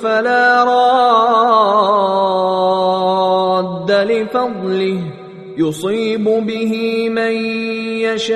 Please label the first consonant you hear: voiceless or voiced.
voiceless